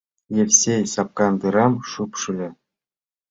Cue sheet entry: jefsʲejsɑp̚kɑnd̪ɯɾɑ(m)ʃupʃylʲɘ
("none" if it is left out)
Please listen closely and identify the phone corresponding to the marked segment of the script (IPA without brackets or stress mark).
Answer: m